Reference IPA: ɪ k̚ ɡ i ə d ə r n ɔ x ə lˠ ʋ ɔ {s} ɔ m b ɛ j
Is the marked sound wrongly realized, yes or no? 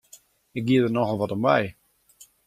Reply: yes